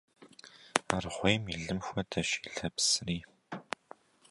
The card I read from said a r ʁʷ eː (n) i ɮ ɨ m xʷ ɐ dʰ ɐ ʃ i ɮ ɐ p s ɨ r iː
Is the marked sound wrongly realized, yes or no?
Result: yes